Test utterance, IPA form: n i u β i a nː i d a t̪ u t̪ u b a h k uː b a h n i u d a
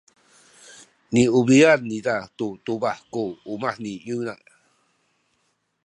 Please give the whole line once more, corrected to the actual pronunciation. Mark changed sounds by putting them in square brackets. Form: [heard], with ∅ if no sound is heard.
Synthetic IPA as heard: n i u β i a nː i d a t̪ u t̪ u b a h k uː [m] a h n i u [n] a